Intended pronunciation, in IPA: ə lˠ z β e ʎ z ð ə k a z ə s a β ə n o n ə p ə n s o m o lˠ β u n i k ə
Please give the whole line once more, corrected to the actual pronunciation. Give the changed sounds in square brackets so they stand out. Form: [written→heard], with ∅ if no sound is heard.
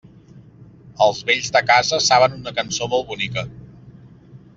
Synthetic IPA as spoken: ə lˠ z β e ʎ z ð ə k a z ə s a β ə n [o→u] n ə [p→k] ə n s o m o lˠ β u n i k ə